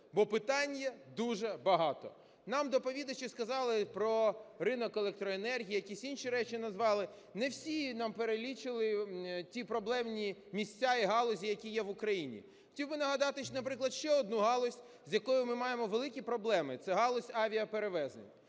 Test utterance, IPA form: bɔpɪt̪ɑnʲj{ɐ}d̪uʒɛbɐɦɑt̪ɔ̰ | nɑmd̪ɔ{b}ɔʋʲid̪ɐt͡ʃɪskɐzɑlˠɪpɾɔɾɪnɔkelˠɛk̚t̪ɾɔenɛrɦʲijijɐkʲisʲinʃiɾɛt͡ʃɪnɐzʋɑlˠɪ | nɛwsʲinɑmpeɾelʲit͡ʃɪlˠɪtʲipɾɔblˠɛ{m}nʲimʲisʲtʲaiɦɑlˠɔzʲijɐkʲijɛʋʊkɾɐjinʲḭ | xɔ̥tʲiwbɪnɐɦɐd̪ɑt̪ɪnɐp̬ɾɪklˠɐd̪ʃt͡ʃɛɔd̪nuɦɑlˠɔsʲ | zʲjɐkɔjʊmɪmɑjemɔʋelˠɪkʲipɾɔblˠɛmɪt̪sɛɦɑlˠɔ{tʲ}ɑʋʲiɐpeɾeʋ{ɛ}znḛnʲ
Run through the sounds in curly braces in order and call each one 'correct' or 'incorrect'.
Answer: correct, incorrect, correct, incorrect, correct

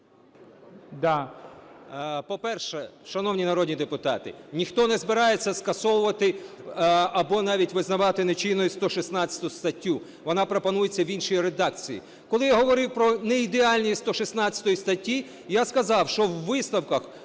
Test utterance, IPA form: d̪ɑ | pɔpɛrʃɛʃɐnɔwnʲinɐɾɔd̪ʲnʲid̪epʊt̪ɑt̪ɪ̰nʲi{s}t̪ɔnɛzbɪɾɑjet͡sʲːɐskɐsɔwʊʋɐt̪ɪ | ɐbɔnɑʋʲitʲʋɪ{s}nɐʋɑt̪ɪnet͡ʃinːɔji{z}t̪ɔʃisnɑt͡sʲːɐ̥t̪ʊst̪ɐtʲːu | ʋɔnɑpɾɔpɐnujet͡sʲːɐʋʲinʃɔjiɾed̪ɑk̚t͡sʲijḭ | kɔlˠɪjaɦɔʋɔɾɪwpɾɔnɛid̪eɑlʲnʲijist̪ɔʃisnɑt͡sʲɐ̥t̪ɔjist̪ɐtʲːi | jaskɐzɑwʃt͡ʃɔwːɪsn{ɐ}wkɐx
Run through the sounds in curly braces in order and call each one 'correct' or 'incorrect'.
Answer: incorrect, incorrect, incorrect, correct

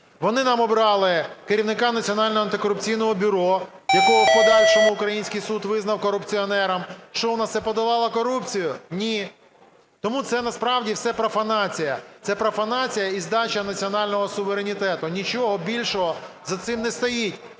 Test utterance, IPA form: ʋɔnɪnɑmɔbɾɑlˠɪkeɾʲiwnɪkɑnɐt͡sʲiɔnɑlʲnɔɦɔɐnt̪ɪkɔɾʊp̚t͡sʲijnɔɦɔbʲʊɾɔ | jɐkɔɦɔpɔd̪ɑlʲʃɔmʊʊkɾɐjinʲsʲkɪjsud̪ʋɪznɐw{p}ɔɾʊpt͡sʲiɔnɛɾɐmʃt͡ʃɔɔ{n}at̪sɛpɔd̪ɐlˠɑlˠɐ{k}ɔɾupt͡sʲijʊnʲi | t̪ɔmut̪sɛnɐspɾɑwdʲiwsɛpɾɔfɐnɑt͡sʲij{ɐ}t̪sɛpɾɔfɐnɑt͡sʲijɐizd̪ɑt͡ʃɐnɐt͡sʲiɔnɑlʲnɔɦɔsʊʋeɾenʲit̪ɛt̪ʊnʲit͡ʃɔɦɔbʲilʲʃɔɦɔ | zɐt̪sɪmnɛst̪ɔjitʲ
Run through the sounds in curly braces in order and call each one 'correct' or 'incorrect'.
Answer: incorrect, correct, correct, correct

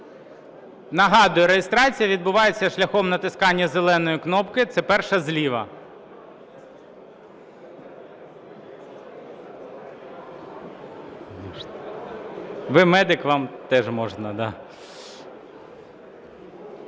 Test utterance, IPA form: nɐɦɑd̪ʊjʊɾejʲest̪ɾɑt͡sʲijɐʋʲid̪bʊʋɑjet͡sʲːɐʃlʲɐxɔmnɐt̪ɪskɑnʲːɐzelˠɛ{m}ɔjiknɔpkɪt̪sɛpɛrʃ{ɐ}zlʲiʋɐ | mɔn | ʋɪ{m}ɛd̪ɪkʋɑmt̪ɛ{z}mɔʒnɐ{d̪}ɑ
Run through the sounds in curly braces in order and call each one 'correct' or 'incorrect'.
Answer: incorrect, correct, correct, incorrect, correct

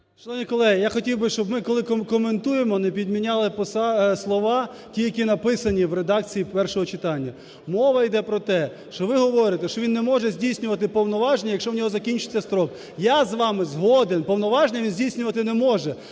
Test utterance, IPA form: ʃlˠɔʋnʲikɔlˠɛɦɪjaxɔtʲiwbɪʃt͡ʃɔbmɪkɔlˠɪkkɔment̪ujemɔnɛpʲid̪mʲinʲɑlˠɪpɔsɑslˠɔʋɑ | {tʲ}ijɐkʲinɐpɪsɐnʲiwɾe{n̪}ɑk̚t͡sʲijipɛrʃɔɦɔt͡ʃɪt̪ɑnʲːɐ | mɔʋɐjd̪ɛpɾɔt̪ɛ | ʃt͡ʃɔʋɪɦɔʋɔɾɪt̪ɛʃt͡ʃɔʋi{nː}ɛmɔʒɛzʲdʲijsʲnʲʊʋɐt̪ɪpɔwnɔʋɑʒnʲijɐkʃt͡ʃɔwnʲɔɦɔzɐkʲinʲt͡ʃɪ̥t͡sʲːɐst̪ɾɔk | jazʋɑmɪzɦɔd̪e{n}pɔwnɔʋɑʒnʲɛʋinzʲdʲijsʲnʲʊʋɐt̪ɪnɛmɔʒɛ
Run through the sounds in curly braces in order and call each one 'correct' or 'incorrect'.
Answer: correct, incorrect, correct, correct

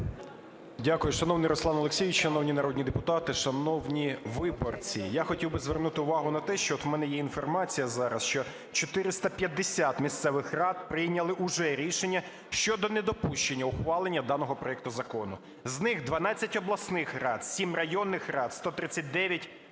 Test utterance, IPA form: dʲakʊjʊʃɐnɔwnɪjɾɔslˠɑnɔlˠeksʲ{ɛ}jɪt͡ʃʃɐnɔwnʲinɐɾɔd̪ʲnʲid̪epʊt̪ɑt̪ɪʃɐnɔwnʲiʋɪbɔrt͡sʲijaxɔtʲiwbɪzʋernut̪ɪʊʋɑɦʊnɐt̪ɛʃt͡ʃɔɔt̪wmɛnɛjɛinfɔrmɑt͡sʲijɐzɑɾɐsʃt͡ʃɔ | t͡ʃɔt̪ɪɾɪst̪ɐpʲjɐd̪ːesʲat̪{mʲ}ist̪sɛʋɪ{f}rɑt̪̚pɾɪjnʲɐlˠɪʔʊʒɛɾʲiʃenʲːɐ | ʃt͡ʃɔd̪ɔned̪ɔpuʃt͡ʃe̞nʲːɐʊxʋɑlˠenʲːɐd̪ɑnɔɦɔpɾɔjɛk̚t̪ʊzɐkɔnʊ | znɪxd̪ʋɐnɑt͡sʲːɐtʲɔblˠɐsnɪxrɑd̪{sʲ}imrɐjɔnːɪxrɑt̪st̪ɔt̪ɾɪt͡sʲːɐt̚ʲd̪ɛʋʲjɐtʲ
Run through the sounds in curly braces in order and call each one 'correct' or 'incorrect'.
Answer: incorrect, correct, incorrect, correct

